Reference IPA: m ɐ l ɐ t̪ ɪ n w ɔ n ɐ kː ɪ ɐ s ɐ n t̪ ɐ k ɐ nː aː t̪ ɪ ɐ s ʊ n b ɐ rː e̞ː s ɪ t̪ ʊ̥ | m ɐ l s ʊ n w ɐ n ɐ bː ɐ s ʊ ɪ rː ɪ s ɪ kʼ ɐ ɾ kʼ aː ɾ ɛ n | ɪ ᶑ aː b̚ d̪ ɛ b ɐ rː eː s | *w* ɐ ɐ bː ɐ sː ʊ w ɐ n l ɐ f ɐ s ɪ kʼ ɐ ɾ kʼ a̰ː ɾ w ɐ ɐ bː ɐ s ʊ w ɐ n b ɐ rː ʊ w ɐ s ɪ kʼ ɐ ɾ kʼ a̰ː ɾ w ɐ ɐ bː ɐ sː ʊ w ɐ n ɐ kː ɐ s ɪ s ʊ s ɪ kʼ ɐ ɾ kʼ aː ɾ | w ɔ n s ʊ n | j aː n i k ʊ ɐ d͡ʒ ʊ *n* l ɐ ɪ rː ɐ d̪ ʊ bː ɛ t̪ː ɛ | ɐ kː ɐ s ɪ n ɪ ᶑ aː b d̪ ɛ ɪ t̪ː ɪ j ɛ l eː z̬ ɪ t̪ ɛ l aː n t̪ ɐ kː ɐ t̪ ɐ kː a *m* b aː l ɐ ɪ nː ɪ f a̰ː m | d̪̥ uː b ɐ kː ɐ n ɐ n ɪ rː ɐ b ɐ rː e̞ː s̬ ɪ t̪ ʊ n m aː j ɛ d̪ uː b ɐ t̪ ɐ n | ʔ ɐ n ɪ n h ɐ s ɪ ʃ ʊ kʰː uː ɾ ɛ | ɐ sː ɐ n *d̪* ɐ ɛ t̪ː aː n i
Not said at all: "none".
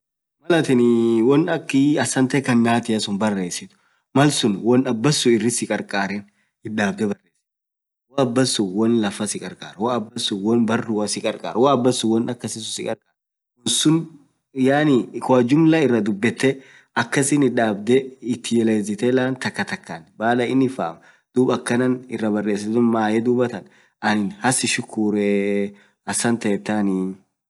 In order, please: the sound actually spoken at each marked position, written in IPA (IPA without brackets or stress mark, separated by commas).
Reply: w, m, n, t̪